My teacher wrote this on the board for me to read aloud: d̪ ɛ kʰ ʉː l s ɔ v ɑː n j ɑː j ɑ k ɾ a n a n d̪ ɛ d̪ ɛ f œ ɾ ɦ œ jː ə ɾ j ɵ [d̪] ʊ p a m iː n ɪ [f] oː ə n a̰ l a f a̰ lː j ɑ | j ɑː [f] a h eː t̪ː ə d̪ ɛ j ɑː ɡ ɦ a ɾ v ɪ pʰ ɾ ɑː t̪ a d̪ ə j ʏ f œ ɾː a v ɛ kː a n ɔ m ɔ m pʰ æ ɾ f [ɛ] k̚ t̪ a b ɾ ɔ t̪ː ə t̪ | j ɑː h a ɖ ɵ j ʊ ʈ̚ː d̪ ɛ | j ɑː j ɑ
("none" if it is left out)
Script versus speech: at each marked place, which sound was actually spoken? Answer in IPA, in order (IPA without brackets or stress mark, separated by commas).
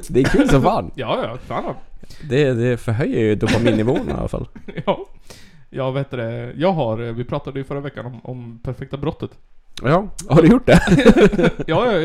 d̪, v, v, ɛ